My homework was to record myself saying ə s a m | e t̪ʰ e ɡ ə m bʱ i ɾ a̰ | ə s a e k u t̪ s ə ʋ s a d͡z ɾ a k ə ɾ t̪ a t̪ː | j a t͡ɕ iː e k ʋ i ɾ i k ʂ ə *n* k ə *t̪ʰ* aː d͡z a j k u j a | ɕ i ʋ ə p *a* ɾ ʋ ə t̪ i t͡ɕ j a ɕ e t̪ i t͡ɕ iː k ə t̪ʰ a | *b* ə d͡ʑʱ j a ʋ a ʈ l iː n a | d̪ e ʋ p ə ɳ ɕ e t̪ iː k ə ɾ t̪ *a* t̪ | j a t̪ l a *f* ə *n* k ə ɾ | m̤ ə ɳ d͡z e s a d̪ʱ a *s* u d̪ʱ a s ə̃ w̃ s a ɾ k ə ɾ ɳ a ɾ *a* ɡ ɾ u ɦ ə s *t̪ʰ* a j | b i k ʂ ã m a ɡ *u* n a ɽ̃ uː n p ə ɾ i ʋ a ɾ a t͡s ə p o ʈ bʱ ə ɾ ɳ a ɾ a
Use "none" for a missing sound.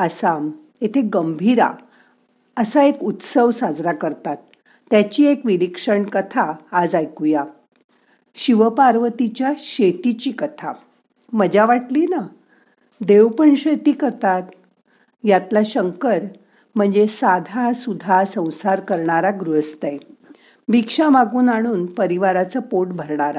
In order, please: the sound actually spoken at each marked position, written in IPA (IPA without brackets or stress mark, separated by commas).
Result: ɳ, t̪ʰ, a, m, a, ɕ, ŋ, s, a, t̪, uː